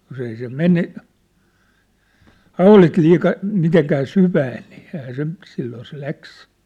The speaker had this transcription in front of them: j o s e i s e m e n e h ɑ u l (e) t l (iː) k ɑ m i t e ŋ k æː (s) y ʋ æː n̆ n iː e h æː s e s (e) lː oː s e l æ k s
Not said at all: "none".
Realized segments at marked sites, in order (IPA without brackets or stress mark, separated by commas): i, iː, s, i